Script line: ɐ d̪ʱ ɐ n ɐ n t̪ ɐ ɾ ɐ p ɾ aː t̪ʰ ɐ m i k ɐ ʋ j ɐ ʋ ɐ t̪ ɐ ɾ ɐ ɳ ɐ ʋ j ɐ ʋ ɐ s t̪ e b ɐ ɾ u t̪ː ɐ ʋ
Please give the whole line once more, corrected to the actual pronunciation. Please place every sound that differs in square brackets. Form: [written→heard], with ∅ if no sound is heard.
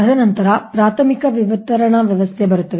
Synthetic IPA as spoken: ɐ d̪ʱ ɐ n ɐ n t̪ ɐ ɾ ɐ p ɾ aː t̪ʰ ɐ m i k ɐ ʋ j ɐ ʋ ɐ t̪ ɐ ɾ ɐ ɳ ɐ ʋ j ɐ ʋ ɐ s [t̪→t̪ʰ] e b ɐ ɾ u t̪ː ɐ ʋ